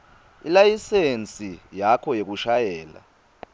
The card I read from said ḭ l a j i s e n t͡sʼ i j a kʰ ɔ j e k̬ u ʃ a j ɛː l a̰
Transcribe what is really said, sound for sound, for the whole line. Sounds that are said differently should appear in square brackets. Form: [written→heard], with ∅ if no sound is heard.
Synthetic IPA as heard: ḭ l a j i s e n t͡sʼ i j a kʰ ɔ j e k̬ u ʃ a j ɛː l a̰